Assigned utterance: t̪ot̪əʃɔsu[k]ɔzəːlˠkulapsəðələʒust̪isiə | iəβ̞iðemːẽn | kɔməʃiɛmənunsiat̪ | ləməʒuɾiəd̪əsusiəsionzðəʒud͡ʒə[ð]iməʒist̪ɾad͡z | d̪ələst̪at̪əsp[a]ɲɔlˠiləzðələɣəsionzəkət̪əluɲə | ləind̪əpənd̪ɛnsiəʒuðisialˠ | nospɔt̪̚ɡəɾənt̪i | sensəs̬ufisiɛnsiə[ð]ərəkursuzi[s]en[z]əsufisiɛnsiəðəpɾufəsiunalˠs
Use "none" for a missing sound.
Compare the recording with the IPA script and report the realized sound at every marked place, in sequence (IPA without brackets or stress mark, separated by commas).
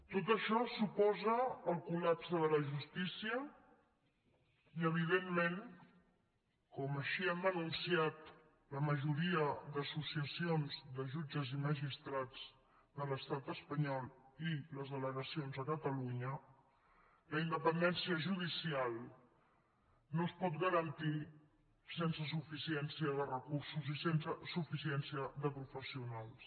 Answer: p, z, ə, ð, s, s